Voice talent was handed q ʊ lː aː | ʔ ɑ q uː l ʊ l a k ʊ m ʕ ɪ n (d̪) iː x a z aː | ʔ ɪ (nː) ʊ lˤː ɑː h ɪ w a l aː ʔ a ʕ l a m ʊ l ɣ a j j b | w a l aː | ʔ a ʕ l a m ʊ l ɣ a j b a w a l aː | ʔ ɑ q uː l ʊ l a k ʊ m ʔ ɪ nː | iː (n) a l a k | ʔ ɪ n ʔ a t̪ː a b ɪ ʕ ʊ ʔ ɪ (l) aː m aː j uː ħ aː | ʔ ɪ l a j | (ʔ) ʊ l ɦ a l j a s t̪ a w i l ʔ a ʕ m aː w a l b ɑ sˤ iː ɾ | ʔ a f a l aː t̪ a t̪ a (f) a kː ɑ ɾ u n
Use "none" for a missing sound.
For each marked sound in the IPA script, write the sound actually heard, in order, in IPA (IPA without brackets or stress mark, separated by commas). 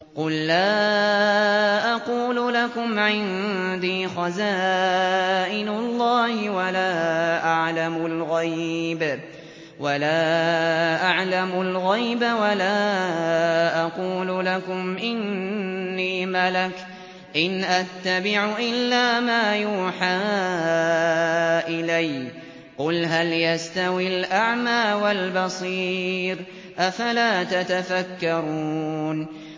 d̪, n, m, lː, q, f